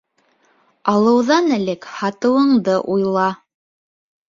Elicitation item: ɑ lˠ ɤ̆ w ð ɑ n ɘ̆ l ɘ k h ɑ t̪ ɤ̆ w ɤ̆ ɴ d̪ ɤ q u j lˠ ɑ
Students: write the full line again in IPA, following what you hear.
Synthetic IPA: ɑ lˠ ɤ̆ w ð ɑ n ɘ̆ l ɘ k h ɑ t̪ ɤ̆ w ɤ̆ ɴ d̪ ɤ ʔ u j lˠ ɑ